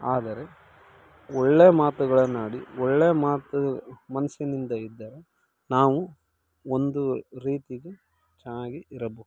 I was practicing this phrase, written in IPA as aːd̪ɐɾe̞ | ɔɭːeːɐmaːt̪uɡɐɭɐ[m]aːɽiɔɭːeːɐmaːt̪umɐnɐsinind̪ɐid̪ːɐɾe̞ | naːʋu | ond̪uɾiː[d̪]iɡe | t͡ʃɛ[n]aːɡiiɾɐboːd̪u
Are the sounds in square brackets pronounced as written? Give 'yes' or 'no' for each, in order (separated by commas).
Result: no, no, yes